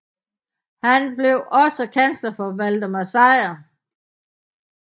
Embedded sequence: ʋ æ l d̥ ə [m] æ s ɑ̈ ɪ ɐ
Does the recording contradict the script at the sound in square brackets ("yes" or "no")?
no